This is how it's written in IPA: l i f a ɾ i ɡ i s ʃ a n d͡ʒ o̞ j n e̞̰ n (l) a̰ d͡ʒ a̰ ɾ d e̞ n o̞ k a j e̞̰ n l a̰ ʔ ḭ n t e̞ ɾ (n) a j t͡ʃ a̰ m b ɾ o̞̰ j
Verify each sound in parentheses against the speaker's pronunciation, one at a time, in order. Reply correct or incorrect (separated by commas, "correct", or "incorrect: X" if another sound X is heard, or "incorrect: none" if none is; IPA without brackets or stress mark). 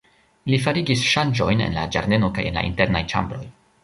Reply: correct, correct